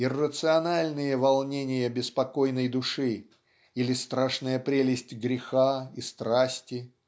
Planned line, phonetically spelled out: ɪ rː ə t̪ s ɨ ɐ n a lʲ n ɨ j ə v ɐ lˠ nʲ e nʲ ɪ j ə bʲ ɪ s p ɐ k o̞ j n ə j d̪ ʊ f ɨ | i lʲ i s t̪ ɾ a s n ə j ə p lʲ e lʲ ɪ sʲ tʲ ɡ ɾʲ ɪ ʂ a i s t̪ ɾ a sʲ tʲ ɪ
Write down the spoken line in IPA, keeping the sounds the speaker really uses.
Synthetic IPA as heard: ɪ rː ə t̪ s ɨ ɐ n a lʲ n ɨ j ə v ɐ lˠ nʲ e nʲ ɪ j ə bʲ ɪ s p ɐ k o̞ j n ə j d̪ ʊ ʂ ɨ | i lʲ ɪ s t̪ ɾ a ʂ n ə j ə p ɾʲ e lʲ ɪ sʲ tʲ ɡ ɾʲ ɪ x a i s t̪ ɾ a sʲ tʲ ɪ